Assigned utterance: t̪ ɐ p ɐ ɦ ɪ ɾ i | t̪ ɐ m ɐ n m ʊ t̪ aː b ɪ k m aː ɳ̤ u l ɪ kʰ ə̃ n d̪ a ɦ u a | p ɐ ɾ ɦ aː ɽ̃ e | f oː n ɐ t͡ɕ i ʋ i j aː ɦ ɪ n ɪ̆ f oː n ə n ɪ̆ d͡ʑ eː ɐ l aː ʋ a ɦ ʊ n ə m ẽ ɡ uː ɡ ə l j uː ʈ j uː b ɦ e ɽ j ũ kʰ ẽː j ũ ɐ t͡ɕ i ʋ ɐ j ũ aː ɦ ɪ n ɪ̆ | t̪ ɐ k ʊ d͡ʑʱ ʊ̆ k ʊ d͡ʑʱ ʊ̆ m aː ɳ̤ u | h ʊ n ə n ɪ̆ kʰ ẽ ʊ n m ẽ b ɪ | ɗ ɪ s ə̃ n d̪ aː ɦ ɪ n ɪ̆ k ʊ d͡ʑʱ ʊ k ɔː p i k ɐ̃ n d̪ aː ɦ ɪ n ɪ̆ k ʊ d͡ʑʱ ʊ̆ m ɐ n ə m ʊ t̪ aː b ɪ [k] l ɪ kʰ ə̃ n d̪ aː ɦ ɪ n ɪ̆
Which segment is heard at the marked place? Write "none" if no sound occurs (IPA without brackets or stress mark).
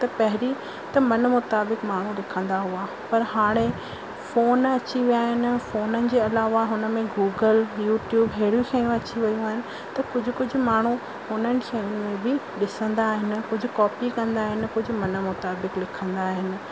k